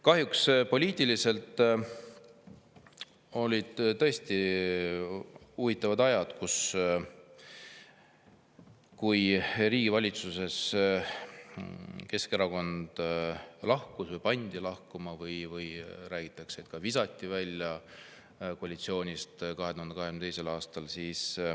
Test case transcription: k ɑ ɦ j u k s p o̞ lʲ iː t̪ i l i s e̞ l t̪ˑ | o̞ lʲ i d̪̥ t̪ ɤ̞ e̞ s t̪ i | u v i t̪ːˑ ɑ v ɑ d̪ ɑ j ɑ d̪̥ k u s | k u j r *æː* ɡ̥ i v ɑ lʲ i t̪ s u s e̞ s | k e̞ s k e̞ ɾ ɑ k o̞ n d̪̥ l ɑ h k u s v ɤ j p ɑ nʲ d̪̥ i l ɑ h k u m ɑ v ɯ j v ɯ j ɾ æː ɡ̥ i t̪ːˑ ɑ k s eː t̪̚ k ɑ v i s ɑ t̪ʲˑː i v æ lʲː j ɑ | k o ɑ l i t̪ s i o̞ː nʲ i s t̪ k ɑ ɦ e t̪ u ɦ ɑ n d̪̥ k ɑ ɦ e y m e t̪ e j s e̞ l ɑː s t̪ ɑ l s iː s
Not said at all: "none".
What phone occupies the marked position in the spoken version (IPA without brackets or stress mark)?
iː